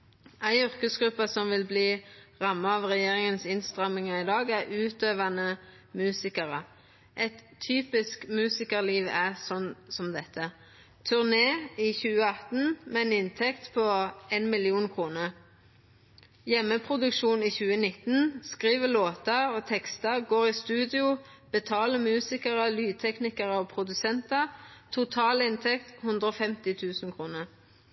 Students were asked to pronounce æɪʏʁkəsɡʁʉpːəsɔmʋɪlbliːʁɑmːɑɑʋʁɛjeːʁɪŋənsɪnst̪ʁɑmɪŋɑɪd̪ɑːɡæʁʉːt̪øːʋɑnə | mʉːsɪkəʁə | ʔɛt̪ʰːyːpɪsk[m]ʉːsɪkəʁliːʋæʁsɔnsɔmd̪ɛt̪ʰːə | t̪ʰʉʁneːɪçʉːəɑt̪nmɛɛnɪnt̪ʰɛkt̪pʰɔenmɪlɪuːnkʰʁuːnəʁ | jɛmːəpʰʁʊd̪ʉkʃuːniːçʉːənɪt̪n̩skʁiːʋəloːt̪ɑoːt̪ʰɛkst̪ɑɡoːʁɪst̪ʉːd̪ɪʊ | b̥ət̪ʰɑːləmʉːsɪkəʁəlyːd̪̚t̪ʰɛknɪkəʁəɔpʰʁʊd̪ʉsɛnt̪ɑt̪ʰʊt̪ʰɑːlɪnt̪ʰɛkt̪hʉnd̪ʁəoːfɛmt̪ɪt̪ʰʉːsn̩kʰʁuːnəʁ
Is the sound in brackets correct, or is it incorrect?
correct